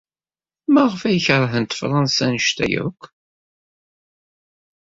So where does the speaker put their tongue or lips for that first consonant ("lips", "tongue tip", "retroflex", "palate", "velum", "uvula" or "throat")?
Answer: lips